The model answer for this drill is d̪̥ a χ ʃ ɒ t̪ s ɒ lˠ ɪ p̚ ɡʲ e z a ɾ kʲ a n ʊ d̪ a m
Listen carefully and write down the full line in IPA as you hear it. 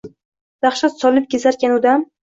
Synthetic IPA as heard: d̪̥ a χ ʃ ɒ t̪ s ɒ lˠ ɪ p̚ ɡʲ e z a ɾ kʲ a n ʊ d̪ a m